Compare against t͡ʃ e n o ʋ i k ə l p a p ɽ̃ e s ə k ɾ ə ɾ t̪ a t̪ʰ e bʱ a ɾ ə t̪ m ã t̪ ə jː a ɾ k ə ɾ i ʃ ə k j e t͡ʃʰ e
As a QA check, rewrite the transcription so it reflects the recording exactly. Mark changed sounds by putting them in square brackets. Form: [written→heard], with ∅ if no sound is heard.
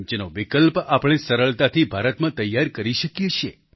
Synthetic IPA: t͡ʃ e n o ʋ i k ə l p a p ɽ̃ e s ə [k→∅] ɾ ə [ɾ→ɭ] t̪ a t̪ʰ [e→i] bʱ a ɾ ə t̪ m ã t̪ ə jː a ɾ k ə ɾ i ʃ ə k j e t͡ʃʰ e

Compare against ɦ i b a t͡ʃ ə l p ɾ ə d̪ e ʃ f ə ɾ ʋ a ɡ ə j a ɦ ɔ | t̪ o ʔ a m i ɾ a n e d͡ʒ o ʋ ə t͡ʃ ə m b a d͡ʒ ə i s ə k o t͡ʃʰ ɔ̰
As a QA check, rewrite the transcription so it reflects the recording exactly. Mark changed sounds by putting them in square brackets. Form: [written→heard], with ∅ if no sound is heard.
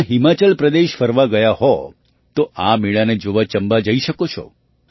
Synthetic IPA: ɦ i [b→m] a t͡ʃ ə l p ɾ ə d̪ e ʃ f ə ɾ ʋ a ɡ ə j a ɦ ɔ | t̪ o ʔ a m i [ɾ→ɭ] a n e d͡ʒ o ʋ [ə→a] t͡ʃ ə m b a d͡ʒ ə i [s→ʃ] ə k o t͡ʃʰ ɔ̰

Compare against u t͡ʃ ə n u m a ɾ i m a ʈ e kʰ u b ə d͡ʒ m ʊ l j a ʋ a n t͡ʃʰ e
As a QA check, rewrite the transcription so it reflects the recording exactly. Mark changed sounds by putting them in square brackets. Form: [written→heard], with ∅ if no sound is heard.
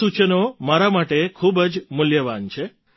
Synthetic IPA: u t͡ʃ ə n [u→o] m a ɾ [i→a] m a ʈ e kʰ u b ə d͡ʒ m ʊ l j [a→ə] ʋ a n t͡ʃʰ e

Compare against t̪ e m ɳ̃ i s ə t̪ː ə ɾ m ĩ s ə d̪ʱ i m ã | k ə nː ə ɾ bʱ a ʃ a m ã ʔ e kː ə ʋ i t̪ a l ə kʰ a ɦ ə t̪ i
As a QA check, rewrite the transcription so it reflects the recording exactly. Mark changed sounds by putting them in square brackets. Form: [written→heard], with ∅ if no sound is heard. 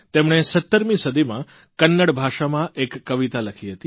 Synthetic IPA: t̪ e m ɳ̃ [i→e] s ə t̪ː ə ɾ m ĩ s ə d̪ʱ i m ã | k ə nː ə [ɾ→ɽ] bʱ a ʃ a m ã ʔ e kː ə ʋ i t̪ a l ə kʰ [a→i] ɦ ə t̪ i

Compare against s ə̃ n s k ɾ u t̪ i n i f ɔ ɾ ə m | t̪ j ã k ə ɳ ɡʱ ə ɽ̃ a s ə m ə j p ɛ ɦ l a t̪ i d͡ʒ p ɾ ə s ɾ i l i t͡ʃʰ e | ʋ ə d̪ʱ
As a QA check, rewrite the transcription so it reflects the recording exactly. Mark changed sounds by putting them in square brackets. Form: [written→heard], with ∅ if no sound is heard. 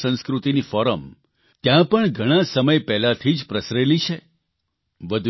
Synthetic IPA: s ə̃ n s k ɾ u t̪ i n i f ɔ ɾ ə m | t̪ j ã [k→p] ə ɳ ɡʱ ə ɽ̃ a s ə m ə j p ɛ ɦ l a [t̪→t̪ʰ] i d͡ʒ p ɾ ə s ɾ [i→e] l i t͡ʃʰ e | ʋ ə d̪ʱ

